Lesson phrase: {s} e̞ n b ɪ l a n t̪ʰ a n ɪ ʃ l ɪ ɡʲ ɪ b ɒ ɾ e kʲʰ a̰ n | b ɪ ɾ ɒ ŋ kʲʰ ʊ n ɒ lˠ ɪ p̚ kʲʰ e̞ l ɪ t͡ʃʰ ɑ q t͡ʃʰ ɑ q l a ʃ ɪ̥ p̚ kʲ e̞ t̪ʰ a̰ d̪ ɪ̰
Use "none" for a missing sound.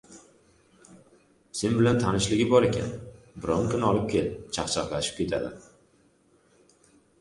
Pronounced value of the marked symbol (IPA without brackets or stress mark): s